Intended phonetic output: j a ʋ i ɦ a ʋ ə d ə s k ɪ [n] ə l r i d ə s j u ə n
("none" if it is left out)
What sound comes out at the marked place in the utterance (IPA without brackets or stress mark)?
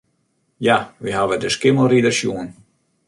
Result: m